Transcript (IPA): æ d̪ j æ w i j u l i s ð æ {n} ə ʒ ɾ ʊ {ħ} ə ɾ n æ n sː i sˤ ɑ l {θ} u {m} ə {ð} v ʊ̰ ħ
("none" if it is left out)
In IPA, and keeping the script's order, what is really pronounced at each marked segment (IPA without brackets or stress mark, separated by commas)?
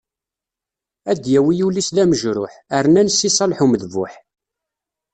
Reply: m, ħ, ħ, m, ð